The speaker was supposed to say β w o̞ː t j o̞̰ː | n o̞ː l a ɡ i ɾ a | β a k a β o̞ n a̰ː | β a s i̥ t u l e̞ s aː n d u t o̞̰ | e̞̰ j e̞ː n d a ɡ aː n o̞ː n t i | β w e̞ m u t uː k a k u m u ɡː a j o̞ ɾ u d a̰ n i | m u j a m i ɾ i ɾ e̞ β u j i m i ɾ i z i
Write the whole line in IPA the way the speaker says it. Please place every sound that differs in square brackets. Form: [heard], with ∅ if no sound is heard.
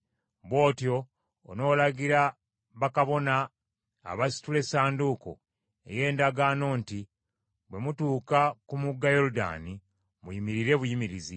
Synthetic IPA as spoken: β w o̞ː t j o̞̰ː | n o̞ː l a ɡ i ɾ a | β a k a β o̞ n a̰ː | β a s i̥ t u l e̞ s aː n d u [k] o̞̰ | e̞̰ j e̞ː n d a ɡ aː n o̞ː n t i | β w e̞ m u t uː k a k u m u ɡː a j o̞ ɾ u d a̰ n i | m u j [i] m i ɾ i ɾ e̞ β u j i m i ɾ i z i